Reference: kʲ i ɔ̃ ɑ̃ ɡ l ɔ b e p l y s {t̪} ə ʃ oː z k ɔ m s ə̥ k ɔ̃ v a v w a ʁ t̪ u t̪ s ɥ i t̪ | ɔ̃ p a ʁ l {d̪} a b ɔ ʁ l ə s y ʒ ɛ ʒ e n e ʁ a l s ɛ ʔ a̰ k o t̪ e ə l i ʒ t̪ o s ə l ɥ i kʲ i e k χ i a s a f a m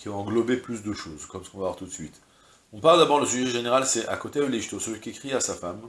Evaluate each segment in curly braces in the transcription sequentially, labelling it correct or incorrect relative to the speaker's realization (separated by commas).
incorrect, correct